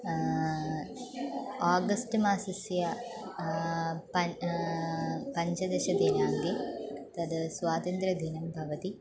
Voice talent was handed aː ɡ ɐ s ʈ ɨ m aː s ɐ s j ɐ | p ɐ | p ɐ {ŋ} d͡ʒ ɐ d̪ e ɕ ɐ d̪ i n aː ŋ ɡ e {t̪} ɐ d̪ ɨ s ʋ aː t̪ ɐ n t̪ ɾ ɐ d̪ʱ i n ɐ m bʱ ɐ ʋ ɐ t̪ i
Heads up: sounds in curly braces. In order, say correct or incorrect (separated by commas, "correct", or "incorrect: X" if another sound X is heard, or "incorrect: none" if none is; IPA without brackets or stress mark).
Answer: incorrect: ɲ, correct